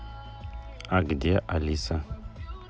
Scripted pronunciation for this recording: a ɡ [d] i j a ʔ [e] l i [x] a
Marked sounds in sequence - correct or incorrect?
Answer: correct, incorrect: a, incorrect: s

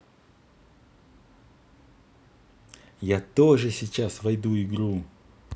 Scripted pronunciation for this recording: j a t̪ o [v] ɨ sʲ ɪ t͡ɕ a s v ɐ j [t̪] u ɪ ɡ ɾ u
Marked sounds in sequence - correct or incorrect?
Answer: incorrect: ʐ, incorrect: d̪

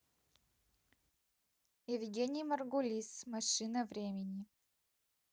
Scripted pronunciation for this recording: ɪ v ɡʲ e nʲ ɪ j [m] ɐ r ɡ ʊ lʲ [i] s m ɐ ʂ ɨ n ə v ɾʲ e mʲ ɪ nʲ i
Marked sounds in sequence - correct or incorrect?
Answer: correct, correct

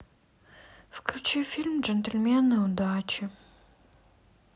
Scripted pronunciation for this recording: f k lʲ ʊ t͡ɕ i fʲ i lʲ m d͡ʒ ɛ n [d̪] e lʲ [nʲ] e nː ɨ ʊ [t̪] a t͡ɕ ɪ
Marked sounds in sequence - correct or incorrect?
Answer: incorrect: t̪, incorrect: mʲ, incorrect: d̪

